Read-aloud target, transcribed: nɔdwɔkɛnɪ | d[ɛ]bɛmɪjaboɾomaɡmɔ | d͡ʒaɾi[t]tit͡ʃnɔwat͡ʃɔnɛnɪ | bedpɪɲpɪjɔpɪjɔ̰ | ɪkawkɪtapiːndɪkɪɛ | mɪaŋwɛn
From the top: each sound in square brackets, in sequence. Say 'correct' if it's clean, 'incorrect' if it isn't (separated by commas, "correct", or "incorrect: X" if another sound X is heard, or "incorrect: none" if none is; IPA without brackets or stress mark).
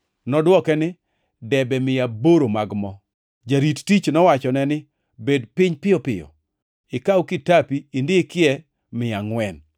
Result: correct, correct